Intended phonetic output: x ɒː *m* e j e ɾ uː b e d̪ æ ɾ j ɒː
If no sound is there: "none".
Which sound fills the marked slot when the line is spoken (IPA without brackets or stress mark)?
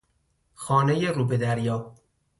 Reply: n